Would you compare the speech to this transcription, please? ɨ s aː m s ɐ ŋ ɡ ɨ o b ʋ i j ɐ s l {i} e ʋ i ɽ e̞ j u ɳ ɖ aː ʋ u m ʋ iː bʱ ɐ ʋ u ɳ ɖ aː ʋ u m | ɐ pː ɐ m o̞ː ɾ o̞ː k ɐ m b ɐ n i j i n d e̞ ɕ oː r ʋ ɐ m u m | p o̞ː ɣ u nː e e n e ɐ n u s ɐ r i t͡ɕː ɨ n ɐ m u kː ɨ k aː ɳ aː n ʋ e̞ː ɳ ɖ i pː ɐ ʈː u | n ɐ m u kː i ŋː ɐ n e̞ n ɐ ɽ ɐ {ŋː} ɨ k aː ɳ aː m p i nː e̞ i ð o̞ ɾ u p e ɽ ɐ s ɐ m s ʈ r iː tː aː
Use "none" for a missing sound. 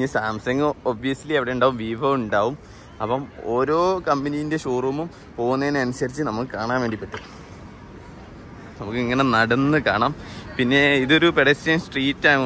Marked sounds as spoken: i, nː

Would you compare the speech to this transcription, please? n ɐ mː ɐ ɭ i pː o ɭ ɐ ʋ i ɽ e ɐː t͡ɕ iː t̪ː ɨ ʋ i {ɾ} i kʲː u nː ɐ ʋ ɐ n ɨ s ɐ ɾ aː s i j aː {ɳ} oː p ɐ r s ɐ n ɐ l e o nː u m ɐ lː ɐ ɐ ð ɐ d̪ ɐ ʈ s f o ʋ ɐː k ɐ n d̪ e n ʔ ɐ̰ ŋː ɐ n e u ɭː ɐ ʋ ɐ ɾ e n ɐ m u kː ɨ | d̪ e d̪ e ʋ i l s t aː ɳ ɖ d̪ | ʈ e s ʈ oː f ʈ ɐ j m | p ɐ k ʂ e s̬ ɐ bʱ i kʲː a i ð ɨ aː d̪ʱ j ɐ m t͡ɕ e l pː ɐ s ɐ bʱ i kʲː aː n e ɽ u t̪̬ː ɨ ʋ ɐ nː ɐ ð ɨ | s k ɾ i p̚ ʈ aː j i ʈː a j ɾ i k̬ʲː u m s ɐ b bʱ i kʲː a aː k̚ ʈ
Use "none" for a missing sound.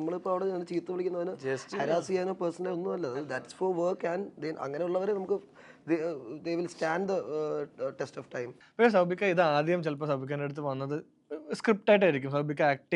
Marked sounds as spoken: ɭ, n

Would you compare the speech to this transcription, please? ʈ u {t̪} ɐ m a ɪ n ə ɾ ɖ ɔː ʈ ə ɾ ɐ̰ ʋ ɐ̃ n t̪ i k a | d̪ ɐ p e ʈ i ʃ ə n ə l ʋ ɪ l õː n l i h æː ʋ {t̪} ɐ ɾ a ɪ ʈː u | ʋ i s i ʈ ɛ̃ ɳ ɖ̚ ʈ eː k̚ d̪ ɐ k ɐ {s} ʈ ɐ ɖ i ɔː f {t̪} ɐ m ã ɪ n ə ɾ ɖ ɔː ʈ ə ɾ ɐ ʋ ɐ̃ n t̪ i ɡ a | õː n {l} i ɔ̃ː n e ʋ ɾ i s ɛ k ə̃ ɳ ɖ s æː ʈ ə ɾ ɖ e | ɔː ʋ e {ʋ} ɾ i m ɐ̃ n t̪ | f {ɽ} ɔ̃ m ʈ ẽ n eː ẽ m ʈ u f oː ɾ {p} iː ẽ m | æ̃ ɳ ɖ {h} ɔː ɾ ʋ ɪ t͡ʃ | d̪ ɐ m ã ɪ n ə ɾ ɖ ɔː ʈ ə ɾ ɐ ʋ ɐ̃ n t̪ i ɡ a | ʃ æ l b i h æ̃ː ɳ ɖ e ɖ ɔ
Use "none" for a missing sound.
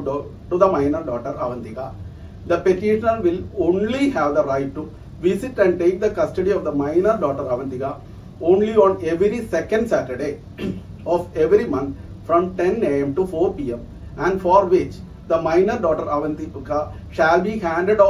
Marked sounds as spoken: d̪, d̪, s, d̪, l, ʋ, ɾ, p, f

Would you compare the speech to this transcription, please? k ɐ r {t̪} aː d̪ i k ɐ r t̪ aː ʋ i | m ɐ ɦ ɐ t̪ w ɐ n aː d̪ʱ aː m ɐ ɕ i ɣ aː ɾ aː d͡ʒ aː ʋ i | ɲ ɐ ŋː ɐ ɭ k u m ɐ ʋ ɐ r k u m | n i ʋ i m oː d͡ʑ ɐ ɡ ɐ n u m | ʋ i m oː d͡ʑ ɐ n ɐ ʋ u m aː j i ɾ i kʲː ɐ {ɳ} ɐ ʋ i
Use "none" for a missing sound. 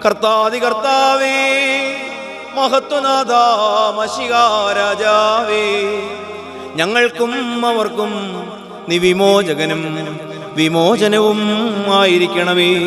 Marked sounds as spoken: t̪, ɳ

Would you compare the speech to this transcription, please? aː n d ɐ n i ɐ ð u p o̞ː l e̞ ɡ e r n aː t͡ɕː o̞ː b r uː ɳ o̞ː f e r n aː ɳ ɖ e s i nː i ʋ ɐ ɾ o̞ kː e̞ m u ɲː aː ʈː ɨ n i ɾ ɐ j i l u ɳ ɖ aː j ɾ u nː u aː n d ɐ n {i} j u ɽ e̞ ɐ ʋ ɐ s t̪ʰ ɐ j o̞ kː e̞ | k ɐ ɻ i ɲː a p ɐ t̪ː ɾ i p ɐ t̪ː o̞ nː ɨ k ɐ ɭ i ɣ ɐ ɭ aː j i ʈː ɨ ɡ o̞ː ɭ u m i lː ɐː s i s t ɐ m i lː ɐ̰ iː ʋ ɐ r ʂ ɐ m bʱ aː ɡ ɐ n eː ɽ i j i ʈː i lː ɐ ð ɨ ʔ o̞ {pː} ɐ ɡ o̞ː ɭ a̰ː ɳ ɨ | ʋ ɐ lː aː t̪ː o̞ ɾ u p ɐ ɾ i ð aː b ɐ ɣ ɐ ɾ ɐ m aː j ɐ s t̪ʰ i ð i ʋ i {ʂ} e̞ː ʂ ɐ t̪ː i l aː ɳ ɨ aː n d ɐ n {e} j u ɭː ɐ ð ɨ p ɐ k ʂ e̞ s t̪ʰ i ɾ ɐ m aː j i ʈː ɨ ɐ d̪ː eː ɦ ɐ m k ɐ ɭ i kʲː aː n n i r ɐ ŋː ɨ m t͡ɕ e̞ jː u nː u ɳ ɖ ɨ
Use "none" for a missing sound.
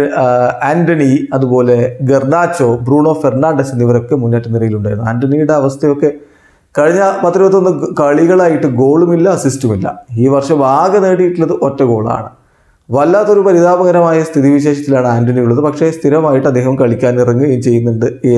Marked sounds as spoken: i, tː, ɕ, i

